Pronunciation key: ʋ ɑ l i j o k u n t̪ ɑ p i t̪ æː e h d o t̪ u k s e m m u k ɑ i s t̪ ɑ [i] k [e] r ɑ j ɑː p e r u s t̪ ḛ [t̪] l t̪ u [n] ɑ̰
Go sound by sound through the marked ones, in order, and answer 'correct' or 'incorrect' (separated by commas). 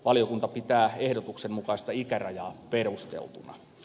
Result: correct, incorrect, incorrect, correct